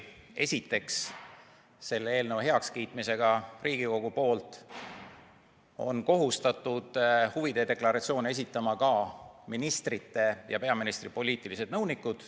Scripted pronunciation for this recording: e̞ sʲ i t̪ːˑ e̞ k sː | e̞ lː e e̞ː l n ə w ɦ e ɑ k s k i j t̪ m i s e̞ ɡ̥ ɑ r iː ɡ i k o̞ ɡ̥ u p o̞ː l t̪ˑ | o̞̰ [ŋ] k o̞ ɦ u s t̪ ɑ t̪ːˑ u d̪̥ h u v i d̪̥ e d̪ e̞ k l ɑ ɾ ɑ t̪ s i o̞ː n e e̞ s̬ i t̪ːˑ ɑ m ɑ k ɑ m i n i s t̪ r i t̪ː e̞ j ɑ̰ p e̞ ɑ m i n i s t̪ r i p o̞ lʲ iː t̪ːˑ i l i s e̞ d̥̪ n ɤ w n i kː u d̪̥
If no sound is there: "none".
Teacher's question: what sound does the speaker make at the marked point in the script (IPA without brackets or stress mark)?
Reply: n